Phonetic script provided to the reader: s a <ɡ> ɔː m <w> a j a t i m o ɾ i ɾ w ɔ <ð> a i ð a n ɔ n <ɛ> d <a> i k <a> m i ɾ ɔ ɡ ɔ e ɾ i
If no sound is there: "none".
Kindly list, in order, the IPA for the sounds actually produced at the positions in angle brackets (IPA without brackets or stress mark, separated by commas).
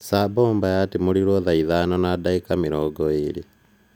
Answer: b, b, ð, a, a, a